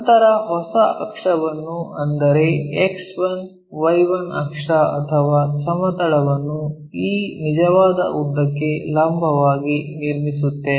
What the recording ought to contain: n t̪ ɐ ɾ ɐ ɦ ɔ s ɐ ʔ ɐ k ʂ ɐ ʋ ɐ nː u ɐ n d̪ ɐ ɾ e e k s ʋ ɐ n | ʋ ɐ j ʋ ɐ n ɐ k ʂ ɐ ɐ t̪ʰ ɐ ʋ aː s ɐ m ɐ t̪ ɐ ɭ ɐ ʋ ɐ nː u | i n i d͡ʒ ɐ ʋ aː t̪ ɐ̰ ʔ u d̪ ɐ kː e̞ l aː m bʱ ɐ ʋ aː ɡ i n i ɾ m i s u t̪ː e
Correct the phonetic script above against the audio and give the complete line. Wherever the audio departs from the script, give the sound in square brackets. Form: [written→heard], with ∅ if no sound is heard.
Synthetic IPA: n t̪ ɐ ɾ ɐ ɦ ɔ s ɐ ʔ ɐ k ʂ ɐ ʋ ɐ nː u ɐ n d̪ ɐ ɾ e e k s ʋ ɐ n | ʋ ɐ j ʋ ɐ n ɐ k ʂ ɐ ɐ t̪ʰ ɐ ʋ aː s ɐ m ɐ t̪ ɐ ɭ ɐ ʋ ɐ nː u | [i→iː] n i d͡ʒ ɐ ʋ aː [t̪→d̪] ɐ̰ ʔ u d̪ ɐ kː e̞ l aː m bʱ ɐ ʋ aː ɡ i n i ɾ m i s u t̪ː e

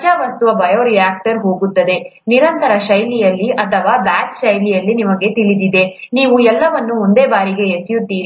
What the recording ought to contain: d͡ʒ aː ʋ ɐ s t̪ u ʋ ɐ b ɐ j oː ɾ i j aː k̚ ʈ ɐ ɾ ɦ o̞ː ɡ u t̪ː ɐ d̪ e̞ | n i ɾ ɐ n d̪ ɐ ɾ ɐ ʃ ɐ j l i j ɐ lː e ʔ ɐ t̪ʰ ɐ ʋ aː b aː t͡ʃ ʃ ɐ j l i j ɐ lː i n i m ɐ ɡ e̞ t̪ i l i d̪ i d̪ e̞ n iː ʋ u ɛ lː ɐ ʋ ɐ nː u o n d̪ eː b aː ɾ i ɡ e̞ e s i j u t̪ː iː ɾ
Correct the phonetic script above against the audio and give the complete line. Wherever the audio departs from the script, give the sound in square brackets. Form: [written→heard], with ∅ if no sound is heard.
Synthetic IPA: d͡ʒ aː ʋ ɐ s t̪ u ʋ ɐ b ɐ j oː ɾ i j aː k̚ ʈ ɐ ɾ ɦ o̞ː ɡ u t̪ː ɐ d̪ e̞ | n i ɾ ɐ n [d̪→t̪] ɐ ɾ ɐ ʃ ɐ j l i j ɐ lː [e→i] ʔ ɐ t̪ʰ ɐ ʋ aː b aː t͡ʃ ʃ ɐ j l i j ɐ lː i n i m ɐ ɡ e̞ t̪ i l i d̪ i d̪ e̞ n iː ʋ u ɛ lː ɐ ʋ ɐ nː u o n d̪ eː b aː ɾ i ɡ e̞ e s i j u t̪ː iː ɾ

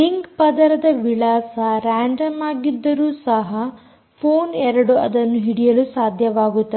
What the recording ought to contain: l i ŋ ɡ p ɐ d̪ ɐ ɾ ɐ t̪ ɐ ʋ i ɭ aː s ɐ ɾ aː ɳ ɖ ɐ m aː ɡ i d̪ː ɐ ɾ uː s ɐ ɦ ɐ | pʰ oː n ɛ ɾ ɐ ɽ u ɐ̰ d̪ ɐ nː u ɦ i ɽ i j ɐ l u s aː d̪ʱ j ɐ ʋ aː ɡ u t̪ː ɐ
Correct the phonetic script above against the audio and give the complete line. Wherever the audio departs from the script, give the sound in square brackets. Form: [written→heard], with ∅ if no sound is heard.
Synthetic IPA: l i ŋ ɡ p ɐ d̪ ɐ ɾ ɐ [t̪→d̪] ɐ ʋ i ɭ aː s ɐ ɾ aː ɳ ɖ ɐ m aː ɡ i d̪ː ɐ ɾ uː s ɐ ɦ ɐ | pʰ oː n ɛ ɾ ɐ ɽ u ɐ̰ d̪ ɐ nː u ɦ i ɽ i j ɐ l u s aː d̪ʱ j ɐ ʋ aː ɡ u t̪ː ɐ

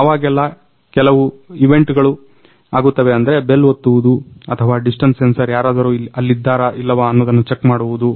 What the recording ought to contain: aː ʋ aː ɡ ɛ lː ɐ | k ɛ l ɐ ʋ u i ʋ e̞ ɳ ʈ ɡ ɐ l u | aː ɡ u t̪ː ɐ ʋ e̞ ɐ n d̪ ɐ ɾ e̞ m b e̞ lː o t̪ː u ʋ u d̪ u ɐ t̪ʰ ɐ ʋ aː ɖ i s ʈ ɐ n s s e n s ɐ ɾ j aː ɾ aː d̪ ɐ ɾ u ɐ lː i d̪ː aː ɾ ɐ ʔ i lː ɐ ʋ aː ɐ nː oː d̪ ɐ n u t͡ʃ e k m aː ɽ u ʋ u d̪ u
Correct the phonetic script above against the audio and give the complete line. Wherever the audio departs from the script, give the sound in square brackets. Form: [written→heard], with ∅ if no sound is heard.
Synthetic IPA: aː ʋ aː ɡ ɛ lː ɐ | k ɛ l ɐ ʋ u i ʋ e̞ ɳ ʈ ɡ ɐ [l→ɭ] u | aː ɡ u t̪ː ɐ ʋ e̞ ɐ n d̪ ɐ ɾ e̞ [m→∅] b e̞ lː o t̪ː u ʋ u d̪ u ɐ t̪ʰ ɐ ʋ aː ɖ i s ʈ ɐ n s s e n s ɐ ɾ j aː ɾ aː d̪ ɐ ɾ u ɐ lː i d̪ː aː ɾ ɐ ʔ i lː ɐ ʋ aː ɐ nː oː d̪ ɐ [n→nː] u t͡ʃ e k m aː ɽ u ʋ u d̪ u

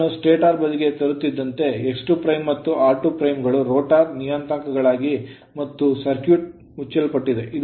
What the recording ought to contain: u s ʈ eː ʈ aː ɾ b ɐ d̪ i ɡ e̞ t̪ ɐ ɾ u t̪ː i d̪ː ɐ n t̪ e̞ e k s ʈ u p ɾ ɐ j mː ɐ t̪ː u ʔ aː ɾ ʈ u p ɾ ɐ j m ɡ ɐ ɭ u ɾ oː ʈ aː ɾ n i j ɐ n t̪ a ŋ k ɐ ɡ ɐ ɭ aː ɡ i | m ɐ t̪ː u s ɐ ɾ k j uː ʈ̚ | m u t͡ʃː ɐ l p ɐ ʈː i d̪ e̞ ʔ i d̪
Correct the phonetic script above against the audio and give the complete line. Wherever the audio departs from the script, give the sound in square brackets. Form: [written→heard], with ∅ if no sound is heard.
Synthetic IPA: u s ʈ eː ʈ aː ɾ b ɐ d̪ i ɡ e̞ t̪ ɐ ɾ u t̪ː i d̪ː ɐ n t̪ e̞ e k s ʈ u p ɾ ɐ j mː ɐ t̪ː u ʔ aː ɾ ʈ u p ɾ ɐ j m ɡ ɐ ɭ u ɾ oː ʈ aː ɾ n i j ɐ n t̪ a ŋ k ɐ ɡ ɐ ɭ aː ɡ i | m ɐ t̪ː u s ɐ ɾ k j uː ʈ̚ | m u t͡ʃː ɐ l p ɐ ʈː i d̪ e̞ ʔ i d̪

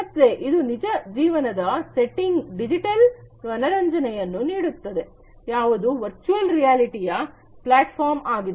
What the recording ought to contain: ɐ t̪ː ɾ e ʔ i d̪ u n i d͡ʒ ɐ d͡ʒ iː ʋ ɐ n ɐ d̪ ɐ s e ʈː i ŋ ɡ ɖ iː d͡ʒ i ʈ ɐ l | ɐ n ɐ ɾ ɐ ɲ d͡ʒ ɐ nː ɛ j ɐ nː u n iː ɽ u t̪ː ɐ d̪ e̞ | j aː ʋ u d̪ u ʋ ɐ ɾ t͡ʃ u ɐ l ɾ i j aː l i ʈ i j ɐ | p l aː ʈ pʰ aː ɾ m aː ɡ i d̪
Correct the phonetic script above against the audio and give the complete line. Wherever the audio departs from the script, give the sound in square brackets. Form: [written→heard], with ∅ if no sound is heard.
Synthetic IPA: ɐ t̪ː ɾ e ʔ i d̪ u n i d͡ʒ ɐ d͡ʒ iː ʋ ɐ n ɐ d̪ ɐ s e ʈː i ŋ ɡ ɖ [iː→i] d͡ʒ i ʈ ɐ l | ɐ n ɐ ɾ ɐ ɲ d͡ʒ ɐ [nː→n] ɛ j ɐ nː u n iː ɽ u t̪ː ɐ d̪ e̞ | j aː ʋ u d̪ u ʋ ɐ ɾ t͡ʃ u ɐ l ɾ i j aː l i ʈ i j ɐ | p l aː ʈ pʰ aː ɾ m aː ɡ i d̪

